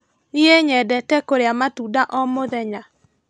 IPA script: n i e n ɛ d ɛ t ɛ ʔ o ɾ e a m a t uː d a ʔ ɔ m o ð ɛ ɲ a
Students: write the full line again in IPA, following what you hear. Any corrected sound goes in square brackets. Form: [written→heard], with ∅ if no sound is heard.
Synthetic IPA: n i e [n→ɲ] ɛ d ɛ t ɛ [ʔ→k] o ɾ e a m a t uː d a ʔ ɔ m o ð ɛ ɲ a